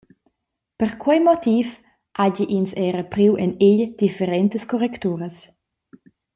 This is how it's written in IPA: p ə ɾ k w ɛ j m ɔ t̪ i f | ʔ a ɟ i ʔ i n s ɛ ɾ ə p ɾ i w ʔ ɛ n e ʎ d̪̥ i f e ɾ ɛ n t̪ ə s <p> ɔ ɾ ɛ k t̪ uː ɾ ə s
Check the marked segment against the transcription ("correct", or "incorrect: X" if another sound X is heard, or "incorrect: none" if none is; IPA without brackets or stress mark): incorrect: k